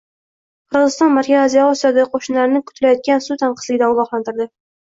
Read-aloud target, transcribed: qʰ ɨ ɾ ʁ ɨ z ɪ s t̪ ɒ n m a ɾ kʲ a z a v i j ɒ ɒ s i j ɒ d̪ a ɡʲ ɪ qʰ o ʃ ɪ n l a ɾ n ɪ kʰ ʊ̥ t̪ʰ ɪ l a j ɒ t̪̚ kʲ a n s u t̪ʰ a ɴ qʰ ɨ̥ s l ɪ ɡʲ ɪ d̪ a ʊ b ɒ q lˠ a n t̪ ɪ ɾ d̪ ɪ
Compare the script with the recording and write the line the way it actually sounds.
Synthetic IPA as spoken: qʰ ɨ ɾ ʁ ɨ z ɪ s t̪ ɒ n m a ɾ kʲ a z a z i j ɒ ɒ s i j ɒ d̪ a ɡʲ ɪ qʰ o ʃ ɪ n l a ɾ n ɪ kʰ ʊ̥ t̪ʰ ɪ l a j ɒ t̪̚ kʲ a n s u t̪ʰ a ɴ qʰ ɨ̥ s l ɪ ɡʲ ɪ d̪ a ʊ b ɒ q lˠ a n t̪ ɪ ɾ d̪ ɪ